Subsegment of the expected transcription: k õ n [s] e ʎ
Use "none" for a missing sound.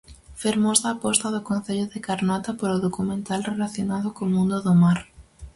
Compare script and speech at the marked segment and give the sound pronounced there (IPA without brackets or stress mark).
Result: θ